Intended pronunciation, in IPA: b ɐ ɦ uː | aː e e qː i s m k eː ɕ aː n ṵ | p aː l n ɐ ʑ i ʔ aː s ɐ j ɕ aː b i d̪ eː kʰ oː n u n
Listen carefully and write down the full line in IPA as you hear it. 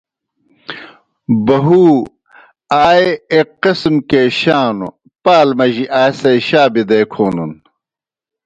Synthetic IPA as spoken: b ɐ ɦ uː | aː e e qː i s m k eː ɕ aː n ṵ | p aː l m ɐ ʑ i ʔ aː s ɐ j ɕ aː b i d̪ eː kʰ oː n u n